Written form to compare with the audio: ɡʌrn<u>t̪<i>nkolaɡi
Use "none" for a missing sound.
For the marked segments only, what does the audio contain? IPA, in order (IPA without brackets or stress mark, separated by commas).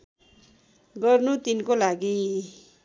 u, i